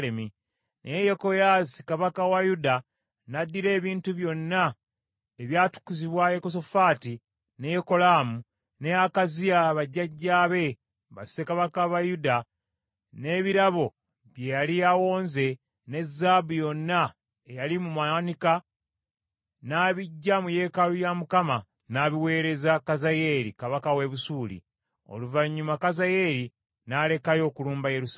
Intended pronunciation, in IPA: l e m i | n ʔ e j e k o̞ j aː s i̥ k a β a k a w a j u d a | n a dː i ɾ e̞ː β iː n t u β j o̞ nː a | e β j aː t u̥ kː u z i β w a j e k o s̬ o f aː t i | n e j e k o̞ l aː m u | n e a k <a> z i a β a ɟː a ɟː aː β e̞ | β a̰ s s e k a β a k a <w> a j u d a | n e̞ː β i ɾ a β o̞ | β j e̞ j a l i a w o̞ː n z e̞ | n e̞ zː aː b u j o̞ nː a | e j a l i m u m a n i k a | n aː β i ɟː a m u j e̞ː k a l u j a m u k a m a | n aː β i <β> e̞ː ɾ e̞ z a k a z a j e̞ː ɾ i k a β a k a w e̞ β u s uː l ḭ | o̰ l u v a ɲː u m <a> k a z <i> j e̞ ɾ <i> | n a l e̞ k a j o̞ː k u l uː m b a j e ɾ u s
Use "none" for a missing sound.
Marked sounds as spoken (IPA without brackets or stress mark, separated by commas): a, β, w, a, a, i